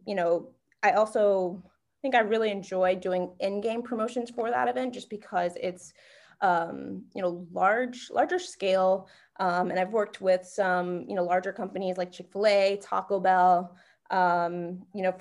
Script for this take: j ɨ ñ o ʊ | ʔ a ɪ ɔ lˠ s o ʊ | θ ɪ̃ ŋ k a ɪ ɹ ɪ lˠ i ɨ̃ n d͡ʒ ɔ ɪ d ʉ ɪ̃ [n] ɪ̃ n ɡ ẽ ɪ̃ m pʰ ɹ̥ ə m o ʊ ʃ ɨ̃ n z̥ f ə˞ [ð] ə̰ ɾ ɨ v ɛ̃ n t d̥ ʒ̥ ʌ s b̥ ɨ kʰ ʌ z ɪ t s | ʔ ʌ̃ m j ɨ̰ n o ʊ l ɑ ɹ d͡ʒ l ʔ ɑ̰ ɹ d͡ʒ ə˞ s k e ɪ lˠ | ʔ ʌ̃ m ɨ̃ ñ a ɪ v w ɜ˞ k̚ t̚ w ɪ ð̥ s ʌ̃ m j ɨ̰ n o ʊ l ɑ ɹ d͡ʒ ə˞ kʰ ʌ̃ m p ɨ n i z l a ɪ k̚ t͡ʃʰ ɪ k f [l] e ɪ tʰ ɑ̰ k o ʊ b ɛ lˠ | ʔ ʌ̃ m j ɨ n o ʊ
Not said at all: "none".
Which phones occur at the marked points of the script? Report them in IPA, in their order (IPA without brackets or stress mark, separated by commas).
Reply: ŋ, ð, l